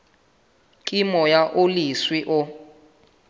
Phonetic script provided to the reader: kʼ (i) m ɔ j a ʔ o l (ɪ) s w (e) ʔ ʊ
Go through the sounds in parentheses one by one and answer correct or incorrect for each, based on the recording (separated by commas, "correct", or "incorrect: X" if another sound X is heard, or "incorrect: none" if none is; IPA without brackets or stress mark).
correct, incorrect: i, incorrect: i